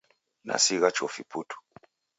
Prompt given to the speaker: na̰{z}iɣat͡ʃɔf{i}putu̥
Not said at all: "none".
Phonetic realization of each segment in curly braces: s, i

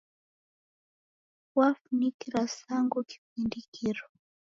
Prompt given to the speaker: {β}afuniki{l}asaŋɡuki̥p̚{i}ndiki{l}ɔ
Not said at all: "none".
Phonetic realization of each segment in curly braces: w, ɾ, i, ɾ

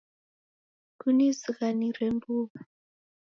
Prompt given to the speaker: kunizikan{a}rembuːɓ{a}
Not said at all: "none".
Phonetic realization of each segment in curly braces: i, a

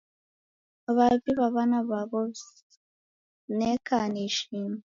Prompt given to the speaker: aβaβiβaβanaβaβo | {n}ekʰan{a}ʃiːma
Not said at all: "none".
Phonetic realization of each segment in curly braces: n, i

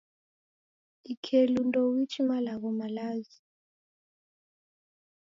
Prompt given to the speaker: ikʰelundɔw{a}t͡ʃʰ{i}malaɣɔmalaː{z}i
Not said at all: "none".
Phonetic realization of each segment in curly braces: i, i, z

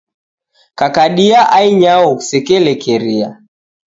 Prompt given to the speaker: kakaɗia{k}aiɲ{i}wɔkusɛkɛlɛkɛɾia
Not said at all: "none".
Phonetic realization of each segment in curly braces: ʔ, a

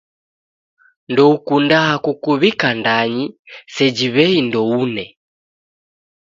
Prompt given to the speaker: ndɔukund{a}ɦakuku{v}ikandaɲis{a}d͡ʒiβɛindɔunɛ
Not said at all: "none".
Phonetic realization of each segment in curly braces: a, β, ɛ

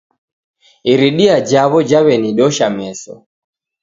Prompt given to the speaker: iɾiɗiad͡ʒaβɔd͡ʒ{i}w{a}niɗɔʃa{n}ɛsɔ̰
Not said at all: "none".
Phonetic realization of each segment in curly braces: a, ɛ, m

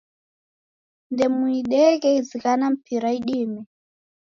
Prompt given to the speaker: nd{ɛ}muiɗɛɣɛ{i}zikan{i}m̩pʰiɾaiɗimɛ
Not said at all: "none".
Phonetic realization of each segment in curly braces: ɛ, i, a

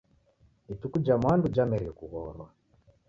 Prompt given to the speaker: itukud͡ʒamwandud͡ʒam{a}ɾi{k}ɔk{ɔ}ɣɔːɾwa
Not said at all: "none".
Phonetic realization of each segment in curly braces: ɛ, none, u

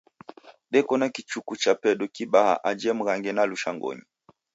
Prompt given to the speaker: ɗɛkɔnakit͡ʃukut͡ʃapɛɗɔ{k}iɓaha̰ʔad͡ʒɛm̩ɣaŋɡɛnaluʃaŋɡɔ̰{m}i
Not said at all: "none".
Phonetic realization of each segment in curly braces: k, ɲ

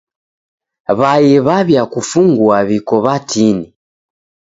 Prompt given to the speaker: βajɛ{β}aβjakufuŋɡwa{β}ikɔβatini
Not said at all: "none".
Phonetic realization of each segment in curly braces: β, β

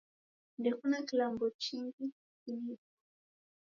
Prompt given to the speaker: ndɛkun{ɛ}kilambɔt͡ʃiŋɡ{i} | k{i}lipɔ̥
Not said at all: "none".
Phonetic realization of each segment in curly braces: a, i, i

